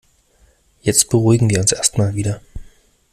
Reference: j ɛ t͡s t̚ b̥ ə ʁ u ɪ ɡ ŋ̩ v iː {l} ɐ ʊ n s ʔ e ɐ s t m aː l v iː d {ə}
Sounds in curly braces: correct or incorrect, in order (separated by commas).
incorrect, incorrect